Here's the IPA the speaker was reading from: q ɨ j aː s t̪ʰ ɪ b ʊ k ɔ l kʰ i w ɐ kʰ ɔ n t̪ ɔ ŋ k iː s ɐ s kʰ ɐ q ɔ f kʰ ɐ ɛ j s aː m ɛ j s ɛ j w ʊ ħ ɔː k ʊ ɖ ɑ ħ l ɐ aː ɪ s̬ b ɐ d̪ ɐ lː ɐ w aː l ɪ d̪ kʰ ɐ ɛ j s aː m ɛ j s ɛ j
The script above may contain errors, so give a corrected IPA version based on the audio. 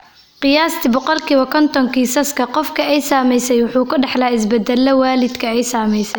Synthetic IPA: q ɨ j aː s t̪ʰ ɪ b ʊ q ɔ l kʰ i w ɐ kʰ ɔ n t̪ ɔ ŋ k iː s ɐ s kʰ ɐ q ɔ f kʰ ɐ ɛ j s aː m ɛ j s ɛ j w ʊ ħ uː k ʊ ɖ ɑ ħ l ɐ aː ɪ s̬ b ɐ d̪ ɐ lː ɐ w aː l ɪ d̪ kʰ ɐ ɛ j s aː m ɛ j s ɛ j

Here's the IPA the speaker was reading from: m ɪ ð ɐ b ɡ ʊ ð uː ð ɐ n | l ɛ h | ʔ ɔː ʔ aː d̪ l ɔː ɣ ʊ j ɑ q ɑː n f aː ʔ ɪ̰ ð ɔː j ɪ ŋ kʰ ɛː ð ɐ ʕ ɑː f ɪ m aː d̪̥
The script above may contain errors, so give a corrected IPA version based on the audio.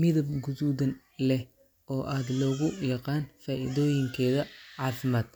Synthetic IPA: m ɪ ð ɐ b ɡ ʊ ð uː ð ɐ n | l ɛ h | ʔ ɔː ʔ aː d̪ l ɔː ɣ ʊ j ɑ q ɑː n f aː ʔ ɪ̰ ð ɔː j ɪ ŋ kʰ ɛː ð ɐ ʕ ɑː f ɪ m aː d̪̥

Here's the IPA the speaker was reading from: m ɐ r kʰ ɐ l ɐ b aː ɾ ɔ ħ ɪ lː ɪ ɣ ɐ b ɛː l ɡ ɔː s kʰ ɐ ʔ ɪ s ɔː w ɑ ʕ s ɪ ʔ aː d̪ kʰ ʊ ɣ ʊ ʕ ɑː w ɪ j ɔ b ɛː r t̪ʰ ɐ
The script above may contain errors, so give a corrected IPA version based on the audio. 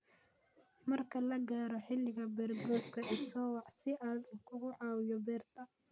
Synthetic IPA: m ɐ r kʰ ɐ l ɐ ɡ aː ɾ ɔ ħ ɪ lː ɪ ɣ ɐ b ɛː r ɡ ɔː s kʰ ɐ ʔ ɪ s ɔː w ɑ ʕ s ɪ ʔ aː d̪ kʰ ʊ ɣ ʊ ʕ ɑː w ɪ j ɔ b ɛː r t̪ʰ ɐ

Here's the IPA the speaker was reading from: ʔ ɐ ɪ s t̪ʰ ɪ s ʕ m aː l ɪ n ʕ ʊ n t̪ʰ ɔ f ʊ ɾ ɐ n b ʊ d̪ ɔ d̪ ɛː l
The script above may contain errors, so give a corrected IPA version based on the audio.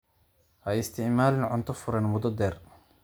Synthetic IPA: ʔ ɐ ɪ s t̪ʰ ɪ ʕ m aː l ɪ n ʕ ʊ n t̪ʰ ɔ f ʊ ɾ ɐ n m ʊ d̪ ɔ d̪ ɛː r

